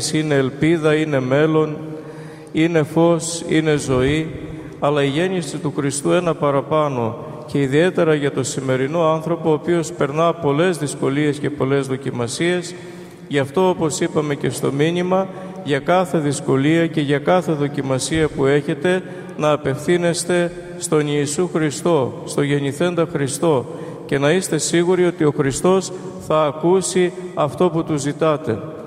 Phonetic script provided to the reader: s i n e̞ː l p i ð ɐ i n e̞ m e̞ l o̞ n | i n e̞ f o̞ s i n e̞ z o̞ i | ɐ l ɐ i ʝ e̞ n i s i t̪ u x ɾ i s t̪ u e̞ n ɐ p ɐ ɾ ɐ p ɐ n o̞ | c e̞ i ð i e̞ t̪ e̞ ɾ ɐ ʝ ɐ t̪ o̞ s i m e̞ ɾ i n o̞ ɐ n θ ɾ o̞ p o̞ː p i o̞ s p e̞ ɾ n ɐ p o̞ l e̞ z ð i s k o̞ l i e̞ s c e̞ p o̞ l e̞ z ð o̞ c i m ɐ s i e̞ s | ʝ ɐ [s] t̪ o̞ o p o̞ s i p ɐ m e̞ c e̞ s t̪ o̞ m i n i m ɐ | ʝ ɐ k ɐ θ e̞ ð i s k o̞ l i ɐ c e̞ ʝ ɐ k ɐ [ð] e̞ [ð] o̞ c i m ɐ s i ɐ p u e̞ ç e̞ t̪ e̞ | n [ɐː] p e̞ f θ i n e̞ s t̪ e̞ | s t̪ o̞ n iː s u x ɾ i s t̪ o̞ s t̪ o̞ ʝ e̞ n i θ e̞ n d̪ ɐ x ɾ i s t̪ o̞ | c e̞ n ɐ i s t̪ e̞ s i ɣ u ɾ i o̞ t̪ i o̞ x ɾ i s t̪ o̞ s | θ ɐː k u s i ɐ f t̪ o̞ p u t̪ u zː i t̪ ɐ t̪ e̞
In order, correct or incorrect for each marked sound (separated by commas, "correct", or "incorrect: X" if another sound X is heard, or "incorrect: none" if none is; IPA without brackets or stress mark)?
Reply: incorrect: f, incorrect: θ, correct, correct